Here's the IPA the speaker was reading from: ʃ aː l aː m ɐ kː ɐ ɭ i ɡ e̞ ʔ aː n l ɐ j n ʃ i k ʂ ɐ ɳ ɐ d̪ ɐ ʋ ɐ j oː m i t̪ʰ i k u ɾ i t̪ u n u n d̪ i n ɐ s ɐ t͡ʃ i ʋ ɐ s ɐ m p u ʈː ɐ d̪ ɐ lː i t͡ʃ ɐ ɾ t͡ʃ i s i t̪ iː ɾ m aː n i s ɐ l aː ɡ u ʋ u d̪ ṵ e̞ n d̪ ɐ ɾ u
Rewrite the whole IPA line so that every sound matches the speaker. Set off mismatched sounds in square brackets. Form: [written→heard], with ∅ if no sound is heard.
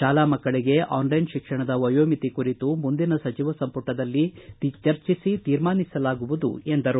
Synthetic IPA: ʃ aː l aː m ɐ kː ɐ ɭ i ɡ e̞ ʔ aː n l ɐ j n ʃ i k ʂ ɐ ɳ ɐ d̪ ɐ ʋ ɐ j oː m i [t̪ʰ→t̪] i k u ɾ i t̪ u [n→m] u n d̪ i n ɐ s ɐ t͡ʃ i ʋ ɐ s ɐ m p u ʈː ɐ d̪ ɐ lː i t͡ʃ ɐ ɾ t͡ʃ i s i t̪ iː ɾ m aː n i s ɐ l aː ɡ u ʋ u d̪ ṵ e̞ n d̪ ɐ ɾ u